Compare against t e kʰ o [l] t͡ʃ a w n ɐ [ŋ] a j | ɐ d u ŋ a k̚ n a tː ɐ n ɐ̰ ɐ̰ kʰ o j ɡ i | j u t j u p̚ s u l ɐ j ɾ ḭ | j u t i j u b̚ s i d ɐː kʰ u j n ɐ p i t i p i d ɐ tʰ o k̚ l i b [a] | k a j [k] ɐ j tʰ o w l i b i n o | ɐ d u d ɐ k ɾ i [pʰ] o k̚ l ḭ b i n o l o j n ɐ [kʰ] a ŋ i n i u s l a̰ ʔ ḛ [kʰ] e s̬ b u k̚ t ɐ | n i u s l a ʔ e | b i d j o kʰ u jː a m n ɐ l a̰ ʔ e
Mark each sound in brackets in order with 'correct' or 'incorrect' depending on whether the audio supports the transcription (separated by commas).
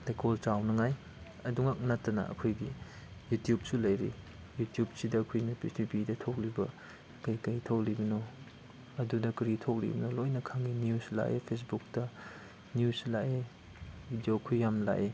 correct, correct, incorrect, correct, incorrect, correct, incorrect